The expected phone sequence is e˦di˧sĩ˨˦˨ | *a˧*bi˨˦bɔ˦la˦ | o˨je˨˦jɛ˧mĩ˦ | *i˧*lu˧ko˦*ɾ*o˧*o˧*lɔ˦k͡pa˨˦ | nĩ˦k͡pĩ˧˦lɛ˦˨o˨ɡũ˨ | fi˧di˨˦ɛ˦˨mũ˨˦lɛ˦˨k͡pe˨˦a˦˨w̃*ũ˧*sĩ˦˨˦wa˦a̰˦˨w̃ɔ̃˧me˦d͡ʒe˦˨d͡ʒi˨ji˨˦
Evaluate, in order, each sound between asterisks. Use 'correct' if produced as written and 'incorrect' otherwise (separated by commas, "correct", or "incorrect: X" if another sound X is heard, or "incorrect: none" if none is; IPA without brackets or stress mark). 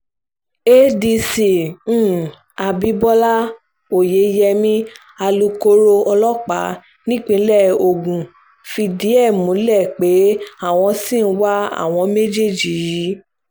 correct, incorrect: a˧, correct, incorrect: ɔ˧, incorrect: ɔ̃˧